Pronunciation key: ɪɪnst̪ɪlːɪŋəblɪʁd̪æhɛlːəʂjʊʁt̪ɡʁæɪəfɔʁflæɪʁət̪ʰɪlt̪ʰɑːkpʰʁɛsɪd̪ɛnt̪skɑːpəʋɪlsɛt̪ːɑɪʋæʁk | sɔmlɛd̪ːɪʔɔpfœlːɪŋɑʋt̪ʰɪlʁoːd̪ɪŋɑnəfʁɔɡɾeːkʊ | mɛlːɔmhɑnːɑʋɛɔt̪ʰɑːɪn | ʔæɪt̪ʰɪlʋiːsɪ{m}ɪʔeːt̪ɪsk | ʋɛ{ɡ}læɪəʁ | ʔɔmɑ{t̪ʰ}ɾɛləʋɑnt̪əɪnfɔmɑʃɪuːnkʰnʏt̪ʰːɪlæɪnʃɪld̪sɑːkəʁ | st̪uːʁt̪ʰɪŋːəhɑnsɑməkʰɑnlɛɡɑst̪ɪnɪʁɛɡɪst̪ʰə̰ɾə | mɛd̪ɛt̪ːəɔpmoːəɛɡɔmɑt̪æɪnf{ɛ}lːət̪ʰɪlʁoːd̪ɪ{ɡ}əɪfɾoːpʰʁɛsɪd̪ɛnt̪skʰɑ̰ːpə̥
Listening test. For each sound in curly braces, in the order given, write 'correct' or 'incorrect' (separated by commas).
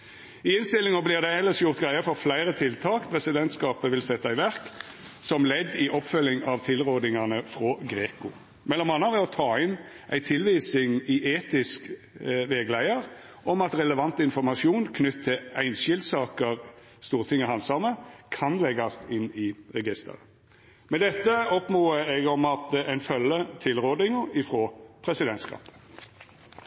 incorrect, correct, incorrect, incorrect, incorrect